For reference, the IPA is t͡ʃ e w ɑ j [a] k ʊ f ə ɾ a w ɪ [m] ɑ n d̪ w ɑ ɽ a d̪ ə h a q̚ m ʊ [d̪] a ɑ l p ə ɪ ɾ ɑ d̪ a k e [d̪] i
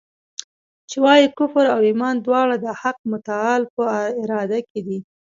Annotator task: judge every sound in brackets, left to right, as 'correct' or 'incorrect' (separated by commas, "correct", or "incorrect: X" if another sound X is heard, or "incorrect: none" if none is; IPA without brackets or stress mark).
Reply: incorrect: i, correct, incorrect: t̪, correct